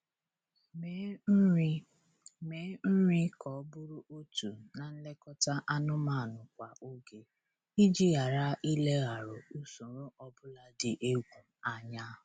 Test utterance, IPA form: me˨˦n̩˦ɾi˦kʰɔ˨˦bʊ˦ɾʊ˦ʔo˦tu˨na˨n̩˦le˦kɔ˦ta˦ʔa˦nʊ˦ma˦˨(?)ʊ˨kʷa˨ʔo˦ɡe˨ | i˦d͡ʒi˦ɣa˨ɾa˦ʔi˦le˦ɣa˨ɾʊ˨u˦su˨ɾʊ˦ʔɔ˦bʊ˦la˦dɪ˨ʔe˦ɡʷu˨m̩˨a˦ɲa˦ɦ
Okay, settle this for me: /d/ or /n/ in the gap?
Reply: n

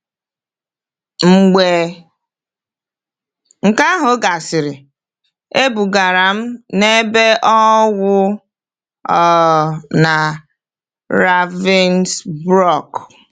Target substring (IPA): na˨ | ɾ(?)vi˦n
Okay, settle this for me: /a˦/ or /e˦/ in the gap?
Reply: a˦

